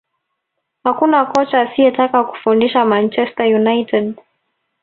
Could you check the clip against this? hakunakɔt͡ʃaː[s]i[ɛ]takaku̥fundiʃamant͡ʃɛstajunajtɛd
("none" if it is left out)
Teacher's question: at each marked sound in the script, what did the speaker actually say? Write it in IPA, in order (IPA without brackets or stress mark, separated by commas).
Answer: s, ɛ